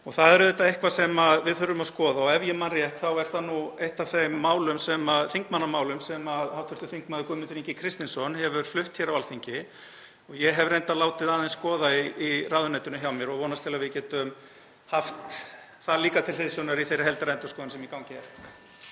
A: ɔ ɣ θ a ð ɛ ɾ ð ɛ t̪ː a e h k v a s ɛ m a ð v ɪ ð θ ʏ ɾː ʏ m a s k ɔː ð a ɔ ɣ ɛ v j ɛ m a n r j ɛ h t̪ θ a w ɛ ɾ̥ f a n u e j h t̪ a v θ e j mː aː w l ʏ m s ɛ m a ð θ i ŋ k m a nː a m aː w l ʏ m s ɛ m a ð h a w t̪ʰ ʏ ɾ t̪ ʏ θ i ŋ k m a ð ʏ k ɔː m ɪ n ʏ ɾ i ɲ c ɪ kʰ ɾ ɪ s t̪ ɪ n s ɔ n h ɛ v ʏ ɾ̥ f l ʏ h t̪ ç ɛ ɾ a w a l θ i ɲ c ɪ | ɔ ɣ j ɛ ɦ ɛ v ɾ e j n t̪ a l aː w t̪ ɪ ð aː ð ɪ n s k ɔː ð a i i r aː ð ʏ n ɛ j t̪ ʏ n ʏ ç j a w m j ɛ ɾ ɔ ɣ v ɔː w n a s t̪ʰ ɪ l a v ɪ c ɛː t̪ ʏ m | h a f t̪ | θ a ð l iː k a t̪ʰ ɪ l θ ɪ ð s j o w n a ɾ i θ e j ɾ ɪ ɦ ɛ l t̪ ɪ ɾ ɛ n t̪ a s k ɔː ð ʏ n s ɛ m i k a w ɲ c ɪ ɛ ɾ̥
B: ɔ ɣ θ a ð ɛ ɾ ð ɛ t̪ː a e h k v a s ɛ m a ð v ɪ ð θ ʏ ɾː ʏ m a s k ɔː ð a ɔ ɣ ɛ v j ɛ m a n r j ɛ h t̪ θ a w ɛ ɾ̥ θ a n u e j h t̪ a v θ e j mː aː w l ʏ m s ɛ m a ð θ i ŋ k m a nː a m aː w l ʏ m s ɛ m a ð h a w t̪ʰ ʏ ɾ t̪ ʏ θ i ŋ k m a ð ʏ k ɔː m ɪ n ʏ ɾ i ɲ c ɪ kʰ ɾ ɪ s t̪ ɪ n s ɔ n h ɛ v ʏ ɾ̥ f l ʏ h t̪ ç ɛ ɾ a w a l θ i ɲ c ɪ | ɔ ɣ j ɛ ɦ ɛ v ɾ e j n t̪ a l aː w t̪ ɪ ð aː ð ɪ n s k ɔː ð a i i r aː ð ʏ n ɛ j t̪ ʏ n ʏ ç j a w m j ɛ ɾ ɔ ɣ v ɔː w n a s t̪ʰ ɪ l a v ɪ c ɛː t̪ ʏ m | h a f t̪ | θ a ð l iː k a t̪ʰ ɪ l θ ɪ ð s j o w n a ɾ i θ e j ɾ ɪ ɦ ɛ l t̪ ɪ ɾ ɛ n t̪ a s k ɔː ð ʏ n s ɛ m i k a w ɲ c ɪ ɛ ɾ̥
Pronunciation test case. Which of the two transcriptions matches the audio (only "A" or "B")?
B